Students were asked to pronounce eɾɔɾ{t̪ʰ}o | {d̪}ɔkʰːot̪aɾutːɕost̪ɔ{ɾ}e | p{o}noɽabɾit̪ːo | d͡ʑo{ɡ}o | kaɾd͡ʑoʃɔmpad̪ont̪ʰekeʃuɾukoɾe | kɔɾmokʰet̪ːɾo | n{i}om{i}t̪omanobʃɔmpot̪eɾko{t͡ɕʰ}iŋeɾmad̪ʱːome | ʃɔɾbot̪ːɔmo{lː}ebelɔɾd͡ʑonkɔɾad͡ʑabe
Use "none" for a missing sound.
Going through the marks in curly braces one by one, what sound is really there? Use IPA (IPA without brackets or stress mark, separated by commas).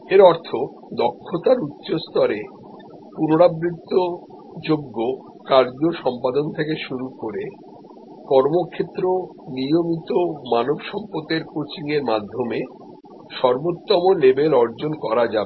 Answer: t̪ʰ, d̪, ɾ, u, ɡː, i, i, t͡ɕ, l